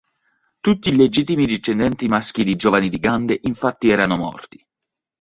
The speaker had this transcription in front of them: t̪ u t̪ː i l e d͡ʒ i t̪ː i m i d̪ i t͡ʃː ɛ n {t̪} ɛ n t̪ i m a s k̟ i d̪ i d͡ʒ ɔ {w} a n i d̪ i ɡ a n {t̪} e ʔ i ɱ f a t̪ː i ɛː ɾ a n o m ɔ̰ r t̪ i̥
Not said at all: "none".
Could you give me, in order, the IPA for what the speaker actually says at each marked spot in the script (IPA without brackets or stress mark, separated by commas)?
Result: d̪, v, d̪